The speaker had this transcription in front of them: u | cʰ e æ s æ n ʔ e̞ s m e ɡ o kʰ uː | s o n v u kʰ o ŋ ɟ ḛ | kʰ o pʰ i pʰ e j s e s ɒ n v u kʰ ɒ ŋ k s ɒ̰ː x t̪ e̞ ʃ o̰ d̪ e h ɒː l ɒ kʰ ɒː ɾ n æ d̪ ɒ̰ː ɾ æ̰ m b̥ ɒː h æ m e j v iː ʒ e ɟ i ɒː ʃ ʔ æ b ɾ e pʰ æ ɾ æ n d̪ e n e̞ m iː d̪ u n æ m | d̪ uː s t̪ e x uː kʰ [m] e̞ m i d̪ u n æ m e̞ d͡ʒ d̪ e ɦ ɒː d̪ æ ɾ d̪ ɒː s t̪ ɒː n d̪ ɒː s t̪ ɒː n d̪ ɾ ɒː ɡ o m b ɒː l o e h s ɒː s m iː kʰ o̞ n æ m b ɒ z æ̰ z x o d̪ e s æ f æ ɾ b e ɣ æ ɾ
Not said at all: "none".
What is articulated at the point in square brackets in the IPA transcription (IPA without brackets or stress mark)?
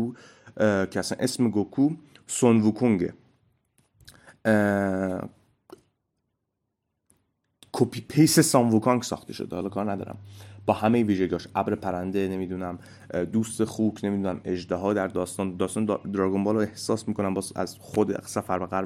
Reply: n